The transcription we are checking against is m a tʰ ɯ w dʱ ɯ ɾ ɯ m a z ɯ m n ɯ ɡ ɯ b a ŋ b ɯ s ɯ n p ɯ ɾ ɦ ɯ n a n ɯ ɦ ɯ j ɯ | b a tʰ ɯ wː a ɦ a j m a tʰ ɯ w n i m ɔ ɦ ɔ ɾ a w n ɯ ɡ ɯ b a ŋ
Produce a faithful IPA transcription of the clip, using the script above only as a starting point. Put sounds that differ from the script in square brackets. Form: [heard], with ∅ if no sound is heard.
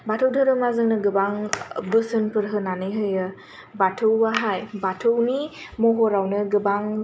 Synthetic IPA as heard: [b] a tʰ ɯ w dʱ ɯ ɾ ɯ m a z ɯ [ŋ] n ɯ ɡ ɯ b a ŋ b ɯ s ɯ n p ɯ ɾ ɦ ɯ n a n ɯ ɦ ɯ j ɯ | b a tʰ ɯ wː a ɦ a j [b] a tʰ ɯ w n i m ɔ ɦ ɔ ɾ a w n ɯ ɡ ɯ b a ŋ

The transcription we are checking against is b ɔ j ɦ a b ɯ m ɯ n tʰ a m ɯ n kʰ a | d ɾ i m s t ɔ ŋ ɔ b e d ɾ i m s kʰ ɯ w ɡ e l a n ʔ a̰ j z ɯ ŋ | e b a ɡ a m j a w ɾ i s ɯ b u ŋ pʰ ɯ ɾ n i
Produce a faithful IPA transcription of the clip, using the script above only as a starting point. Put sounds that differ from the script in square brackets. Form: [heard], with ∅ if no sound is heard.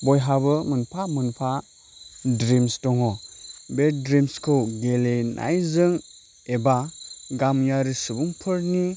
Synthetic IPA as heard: b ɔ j ɦ a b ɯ m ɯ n [pʰ] a m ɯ n [pʰ] a | d ɾ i m s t ɔ ŋ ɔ b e d ɾ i m s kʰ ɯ w ɡ e l [e] n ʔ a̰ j z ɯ ŋ | e b a ɡ a m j a [∅] ɾ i s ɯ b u ŋ pʰ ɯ ɾ n i

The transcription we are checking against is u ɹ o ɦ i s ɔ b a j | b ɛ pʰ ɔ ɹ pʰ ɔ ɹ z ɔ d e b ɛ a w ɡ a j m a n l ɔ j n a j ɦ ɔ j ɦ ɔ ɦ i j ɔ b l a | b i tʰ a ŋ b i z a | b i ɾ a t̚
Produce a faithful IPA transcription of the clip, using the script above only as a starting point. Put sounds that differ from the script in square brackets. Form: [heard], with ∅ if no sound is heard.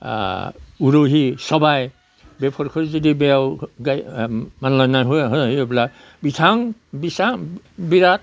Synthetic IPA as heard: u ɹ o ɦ i s ɔ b a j | b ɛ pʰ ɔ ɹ [kʰ] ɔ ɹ z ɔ d [i] b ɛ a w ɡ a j m a n l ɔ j n a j ɦ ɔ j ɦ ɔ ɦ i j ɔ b l a | b i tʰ a ŋ b i [s] a | b i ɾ a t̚

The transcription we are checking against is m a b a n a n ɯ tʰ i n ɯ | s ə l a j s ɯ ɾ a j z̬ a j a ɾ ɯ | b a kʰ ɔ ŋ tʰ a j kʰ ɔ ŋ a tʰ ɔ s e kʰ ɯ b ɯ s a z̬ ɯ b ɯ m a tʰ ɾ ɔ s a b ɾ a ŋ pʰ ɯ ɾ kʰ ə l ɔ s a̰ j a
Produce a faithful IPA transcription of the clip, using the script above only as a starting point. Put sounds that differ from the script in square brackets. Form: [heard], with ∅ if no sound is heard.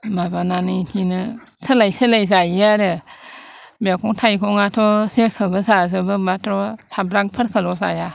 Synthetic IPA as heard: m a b a n a n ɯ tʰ i n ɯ | s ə l a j s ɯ [l] a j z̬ a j a ɾ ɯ | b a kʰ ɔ ŋ tʰ a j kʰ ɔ ŋ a tʰ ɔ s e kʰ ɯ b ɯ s a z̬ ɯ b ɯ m a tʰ ɾ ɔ s a b ɾ a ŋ pʰ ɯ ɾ kʰ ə l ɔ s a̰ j a

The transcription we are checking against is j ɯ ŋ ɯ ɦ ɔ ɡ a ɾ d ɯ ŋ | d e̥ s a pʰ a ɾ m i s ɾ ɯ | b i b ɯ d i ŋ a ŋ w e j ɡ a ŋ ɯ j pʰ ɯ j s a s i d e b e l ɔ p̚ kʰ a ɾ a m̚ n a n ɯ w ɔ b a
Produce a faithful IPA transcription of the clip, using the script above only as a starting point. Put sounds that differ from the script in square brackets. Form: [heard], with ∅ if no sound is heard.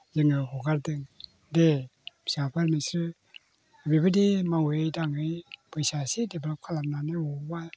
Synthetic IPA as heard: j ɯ ŋ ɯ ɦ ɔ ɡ a ɾ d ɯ ŋ | d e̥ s a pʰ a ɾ m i s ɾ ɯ | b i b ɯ d i [m] a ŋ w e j [d] a ŋ ɯ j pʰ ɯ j s a s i d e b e l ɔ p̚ kʰ a [l] a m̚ n a n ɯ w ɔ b a

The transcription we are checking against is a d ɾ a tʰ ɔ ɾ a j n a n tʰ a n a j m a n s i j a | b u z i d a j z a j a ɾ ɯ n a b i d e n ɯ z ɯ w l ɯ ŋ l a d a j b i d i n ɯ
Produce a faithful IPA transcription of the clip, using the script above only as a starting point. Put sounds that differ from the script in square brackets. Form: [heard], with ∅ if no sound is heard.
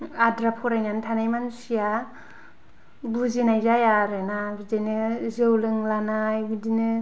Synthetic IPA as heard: a d ɾ a [pʰ] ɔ ɾ a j n a n tʰ a n a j m a n s i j a | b u z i [n] a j z a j a ɾ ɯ n a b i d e n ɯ z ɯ w l ɯ ŋ l a [n] a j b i d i n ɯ

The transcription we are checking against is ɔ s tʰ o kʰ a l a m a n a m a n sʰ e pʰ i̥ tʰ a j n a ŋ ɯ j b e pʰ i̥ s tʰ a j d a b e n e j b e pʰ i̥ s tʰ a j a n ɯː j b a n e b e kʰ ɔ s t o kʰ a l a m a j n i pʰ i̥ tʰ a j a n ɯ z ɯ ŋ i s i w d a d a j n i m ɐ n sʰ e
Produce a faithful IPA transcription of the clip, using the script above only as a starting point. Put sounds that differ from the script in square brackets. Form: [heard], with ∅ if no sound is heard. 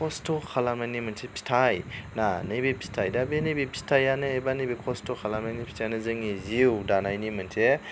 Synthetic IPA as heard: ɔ s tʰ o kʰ a l a m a n [i] m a n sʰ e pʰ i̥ tʰ a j n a [n] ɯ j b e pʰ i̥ s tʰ a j d a b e n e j b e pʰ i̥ s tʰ a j a n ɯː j b a n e b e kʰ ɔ s t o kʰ a l a m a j n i pʰ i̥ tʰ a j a n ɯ z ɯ ŋ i [z] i w d a [n] a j n i m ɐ n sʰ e

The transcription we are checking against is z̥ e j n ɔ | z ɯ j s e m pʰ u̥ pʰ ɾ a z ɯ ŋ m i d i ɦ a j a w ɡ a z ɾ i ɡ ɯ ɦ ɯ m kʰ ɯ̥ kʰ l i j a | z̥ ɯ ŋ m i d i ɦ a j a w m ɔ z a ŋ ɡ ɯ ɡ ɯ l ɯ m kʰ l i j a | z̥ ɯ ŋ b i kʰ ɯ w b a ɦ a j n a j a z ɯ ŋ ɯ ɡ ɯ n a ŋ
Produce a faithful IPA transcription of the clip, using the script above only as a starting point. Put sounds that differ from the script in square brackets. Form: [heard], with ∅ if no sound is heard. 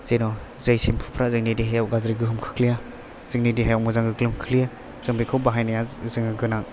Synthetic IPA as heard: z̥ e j n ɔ | z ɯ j s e m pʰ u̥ pʰ ɾ a z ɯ ŋ [n] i d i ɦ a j a w ɡ a z ɾ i ɡ ɯ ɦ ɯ m kʰ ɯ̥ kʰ l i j a | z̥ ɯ ŋ [n] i d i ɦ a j a w m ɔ z a ŋ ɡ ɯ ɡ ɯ l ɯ m kʰ l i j a | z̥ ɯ ŋ b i kʰ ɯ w b a ɦ a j n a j a z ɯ ŋ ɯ ɡ ɯ n a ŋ

